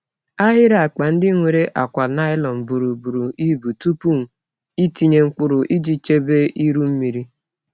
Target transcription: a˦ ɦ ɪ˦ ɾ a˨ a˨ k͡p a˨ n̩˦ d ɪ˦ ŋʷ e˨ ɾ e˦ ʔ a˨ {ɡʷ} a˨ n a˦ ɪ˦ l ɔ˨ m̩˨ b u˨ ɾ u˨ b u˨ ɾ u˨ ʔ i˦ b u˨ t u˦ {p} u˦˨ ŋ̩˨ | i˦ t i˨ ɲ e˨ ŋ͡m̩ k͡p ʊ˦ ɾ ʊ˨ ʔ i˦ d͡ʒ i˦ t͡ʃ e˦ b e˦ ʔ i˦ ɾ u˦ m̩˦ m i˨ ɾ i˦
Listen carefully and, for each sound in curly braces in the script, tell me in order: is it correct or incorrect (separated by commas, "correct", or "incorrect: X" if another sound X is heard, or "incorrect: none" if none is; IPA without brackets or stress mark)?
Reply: incorrect: kʷ, correct